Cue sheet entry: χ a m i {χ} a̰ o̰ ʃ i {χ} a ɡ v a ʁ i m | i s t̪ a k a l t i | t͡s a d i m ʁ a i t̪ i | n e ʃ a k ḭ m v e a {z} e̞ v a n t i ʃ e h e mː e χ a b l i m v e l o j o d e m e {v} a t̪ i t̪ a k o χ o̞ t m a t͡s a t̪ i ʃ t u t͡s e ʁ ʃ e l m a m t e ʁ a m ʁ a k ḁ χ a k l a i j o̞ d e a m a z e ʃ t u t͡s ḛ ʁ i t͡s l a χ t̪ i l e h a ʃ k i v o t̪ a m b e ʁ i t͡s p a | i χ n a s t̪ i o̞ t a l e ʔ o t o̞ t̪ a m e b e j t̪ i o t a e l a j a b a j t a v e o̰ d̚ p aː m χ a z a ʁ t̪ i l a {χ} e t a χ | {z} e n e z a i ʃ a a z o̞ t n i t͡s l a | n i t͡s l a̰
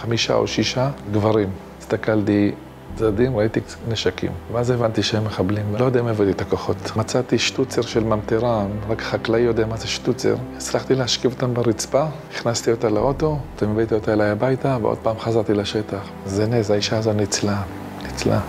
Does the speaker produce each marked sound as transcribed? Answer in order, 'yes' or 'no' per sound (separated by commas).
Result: no, no, yes, yes, no, yes